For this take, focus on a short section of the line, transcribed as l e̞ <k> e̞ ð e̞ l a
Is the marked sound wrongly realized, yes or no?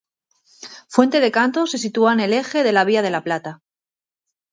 yes